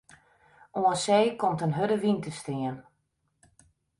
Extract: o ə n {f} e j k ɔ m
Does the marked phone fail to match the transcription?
yes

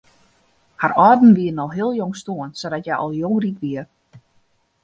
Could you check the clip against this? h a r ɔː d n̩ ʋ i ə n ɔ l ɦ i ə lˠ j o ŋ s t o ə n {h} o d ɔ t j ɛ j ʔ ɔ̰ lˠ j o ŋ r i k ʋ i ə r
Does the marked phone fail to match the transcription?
yes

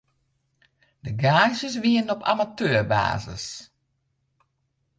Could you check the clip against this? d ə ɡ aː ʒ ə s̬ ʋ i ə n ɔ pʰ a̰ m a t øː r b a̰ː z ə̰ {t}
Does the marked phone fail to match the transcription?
yes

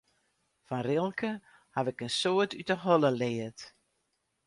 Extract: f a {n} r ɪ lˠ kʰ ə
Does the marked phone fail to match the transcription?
no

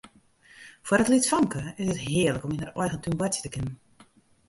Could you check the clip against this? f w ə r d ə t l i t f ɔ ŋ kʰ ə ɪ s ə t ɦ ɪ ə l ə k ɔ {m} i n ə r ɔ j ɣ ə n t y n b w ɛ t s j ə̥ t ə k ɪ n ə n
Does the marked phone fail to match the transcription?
no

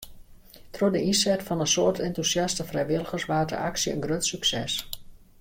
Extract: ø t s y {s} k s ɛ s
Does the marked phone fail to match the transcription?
yes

